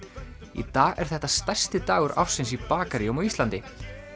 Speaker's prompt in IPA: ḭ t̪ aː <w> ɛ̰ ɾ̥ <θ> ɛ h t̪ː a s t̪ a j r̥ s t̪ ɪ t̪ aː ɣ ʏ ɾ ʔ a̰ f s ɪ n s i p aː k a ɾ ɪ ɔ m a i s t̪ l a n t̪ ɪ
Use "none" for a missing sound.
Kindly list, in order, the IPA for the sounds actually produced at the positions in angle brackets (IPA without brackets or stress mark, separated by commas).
ɣ, θ